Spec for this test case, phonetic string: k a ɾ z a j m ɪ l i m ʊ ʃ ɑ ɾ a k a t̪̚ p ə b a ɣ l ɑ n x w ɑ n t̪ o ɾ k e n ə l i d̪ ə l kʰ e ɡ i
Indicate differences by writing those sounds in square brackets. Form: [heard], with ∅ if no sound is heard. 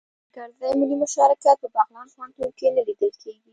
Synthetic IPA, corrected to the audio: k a ɾ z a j m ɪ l i m ʊ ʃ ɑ ɾ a k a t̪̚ p ə b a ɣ l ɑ n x w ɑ n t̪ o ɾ k e n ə l i d̪ ə l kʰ e ɡ i